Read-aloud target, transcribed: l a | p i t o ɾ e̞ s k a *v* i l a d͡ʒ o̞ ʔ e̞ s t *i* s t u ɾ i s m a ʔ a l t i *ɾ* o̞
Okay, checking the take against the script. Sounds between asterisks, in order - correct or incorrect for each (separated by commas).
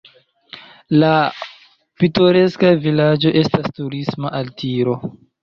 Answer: correct, incorrect, correct